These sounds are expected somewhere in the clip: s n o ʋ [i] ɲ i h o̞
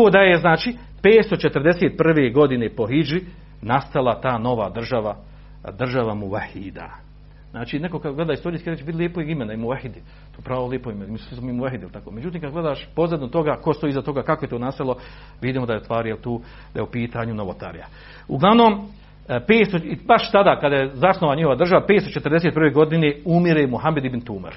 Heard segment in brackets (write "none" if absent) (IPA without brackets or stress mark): a